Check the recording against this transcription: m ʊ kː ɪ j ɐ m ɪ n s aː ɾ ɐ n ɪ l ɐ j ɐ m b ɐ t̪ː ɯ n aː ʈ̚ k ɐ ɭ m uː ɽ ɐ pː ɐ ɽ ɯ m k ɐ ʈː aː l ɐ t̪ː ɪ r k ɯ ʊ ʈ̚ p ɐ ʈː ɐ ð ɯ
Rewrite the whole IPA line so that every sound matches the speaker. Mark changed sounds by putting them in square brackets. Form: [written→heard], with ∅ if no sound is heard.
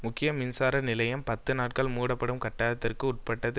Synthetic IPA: m ʊ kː ɪ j ɐ m ɪ n s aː ɾ ɐ n ɪ l ɐ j ɐ m [b→p] ɐ t̪ː ɯ n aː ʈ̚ k ɐ ɭ m uː ɽ ɐ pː ɐ ɽ ɯ m k ɐ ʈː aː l ɐ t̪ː ɪ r k ɯ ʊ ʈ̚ p ɐ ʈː ɐ ð ɯ

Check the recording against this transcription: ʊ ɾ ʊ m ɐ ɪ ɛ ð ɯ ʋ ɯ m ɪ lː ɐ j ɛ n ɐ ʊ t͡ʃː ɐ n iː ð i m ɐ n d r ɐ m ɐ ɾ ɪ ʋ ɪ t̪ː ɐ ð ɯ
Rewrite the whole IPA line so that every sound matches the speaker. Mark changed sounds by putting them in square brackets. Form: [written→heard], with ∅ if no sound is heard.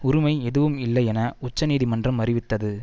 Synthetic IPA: ʊ ɾ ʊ m ɐ ɪ ɛ ð ɯ ʋ ɯ m ɪ lː ɐ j ɛ n ɐ ʊ t͡ʃː ɐ n iː ð i m ɐ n d r ɐ m ɐ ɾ ɪ ʋ ɪ t̪ː ɐ ð ɯ

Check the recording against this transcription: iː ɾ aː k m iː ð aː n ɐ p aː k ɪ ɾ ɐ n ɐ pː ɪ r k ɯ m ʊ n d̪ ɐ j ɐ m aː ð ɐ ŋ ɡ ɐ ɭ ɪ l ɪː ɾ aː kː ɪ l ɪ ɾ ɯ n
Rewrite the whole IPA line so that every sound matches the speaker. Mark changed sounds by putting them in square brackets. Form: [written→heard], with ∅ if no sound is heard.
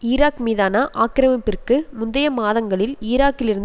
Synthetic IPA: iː ɾ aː k m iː ð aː n ɐ [p→ʔ] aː k ɪ ɾ ɐ [n→m] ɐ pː ɪ r k ɯ m ʊ n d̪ ɐ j ɐ m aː ð ɐ ŋ ɡ ɐ ɭ ɪ l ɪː ɾ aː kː ɪ l ɪ ɾ ɯ n

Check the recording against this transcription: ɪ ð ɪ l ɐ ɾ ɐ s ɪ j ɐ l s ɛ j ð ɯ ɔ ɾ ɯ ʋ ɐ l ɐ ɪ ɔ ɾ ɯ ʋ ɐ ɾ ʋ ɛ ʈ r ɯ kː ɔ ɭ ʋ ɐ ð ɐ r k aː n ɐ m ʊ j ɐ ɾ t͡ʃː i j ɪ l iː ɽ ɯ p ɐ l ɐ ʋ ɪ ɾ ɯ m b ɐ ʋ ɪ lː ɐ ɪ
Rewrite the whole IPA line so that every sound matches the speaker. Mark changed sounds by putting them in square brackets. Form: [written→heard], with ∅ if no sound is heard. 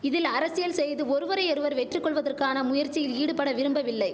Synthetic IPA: ɪ ð ɪ l ɐ ɾ ɐ s ɪ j ɐ l s ɛ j ð ɯ ɔ ɾ ɯ ʋ ɐ [l→ɾ] ɐ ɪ ɔ ɾ ɯ ʋ ɐ ɾ ʋ ɛ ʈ r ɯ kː ɔ ɭ ʋ ɐ ð ɐ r k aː n ɐ m ʊ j ɐ ɾ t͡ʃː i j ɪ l iː ɽ ɯ p ɐ [l→ɽ] ɐ ʋ ɪ ɾ ɯ m b ɐ ʋ ɪ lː ɐ ɪ

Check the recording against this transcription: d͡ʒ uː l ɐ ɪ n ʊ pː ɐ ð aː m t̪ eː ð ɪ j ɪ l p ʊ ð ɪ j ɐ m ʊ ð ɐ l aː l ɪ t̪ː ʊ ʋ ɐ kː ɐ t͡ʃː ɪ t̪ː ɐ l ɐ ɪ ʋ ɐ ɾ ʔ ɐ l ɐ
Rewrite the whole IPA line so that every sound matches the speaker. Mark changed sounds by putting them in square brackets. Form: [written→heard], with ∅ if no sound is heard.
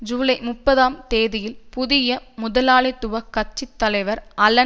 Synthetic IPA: d͡ʒ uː l ɐ ɪ [n→m] ʊ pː ɐ ð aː m t̪ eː ð ɪ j ɪ l p ʊ ð ɪ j ɐ m ʊ ð ɐ l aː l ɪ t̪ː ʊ ʋ ɐ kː ɐ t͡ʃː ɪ t̪ː ɐ l ɐ ɪ ʋ ɐ ɾ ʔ ɐ l ɐ

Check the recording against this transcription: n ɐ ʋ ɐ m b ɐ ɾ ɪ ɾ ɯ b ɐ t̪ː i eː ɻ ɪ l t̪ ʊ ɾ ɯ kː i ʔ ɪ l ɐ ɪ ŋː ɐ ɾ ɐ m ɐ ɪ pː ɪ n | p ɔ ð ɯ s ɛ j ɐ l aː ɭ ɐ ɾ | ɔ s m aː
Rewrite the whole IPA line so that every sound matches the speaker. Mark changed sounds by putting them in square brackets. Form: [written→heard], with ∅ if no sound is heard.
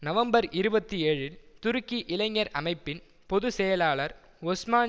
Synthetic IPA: n ɐ ʋ ɐ m b ɐ ɾ ɪ ɾ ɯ b ɐ t̪ː i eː ɻ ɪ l t̪ ʊ ɾ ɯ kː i ʔ ɪ l ɐ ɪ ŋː ɐ ɾ ɐ m ɐ ɪ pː ɪ n | p ɔ ð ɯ s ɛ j ɐ l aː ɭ ɐ ɾ | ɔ s m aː

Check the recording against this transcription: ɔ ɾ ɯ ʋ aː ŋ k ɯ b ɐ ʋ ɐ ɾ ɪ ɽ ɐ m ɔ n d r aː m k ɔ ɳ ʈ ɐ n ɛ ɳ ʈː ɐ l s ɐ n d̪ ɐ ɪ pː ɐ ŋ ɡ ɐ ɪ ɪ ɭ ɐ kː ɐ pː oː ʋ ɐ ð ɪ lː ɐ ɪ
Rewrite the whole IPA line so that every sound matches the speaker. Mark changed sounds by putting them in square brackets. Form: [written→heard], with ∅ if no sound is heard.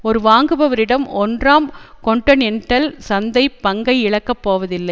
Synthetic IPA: ɔ ɾ ɯ ʋ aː ŋ [k→ɡ] ɯ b ɐ ʋ ɐ ɾ ɪ ɽ ɐ m ɔ n d r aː m k ɔ ɳ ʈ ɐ n ɛ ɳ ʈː ɐ l s ɐ n d̪ ɐ ɪ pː ɐ ŋ ɡ ɐ ɪ ɪ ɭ ɐ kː ɐ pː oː ʋ ɐ ð ɪ lː ɐ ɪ

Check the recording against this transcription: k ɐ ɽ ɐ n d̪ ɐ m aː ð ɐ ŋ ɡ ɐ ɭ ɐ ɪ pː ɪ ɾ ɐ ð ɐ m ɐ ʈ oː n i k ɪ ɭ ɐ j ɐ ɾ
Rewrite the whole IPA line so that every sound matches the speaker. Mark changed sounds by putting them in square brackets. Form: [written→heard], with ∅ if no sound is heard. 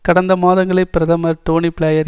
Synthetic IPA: k ɐ ɽ ɐ n d̪ ɐ m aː ð ɐ ŋ ɡ ɐ ɭ ɐ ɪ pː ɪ ɾ ɐ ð ɐ m ɐ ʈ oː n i [k→p] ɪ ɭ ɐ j ɐ ɾ

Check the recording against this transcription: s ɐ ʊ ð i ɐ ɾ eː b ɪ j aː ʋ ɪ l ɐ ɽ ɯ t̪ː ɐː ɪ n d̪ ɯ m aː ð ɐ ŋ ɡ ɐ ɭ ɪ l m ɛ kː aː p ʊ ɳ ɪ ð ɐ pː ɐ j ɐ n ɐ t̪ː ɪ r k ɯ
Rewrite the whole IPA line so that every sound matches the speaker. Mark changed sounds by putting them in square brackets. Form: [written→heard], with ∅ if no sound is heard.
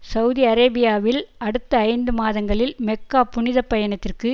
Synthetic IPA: s ɐ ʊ ð i ɐ ɾ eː b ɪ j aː ʋ ɪ l ɐ ɽ ɯ t̪ː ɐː ɪ n d̪ ɯ m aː ð ɐ ŋ ɡ ɐ ɭ ɪ l m ɛ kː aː p ʊ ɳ ɪ ð ɐ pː ɐ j ɐ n ɐ t̪ː ɪ r k ɯ

